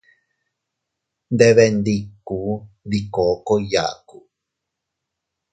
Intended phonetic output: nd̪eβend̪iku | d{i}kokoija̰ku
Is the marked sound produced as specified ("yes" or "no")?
yes